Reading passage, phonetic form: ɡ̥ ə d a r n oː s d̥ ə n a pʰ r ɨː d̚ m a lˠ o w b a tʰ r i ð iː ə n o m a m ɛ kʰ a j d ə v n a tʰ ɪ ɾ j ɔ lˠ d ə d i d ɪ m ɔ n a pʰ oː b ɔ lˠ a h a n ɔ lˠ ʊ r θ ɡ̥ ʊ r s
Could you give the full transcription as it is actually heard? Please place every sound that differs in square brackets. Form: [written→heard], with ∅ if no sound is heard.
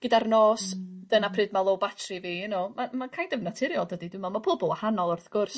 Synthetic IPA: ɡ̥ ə d a r n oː s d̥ ə n a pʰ r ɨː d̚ m a lˠ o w b a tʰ r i [ð→v] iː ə n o m a m [ɛ→a] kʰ a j d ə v n a tʰ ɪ ɾ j ɔ lˠ d ə d i d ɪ m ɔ [n→m] a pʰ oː b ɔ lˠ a h a n ɔ lˠ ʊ r θ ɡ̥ ʊ r s